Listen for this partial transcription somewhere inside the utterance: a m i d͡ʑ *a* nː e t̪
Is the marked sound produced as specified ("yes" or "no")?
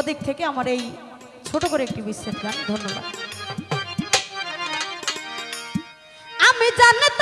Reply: yes